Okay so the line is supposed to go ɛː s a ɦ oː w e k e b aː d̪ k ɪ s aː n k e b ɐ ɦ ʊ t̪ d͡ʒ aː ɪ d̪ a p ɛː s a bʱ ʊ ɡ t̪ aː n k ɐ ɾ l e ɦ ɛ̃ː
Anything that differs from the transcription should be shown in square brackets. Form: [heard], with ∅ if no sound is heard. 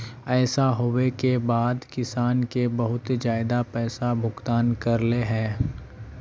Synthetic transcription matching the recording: ɛː s a ɦ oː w e k e b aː d̪ k ɪ s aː n k e b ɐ ɦ ʊ t̪ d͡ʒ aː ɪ d̪ a p ɛː s a bʱ ʊ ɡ t̪ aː n k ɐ ɾ l e ɦ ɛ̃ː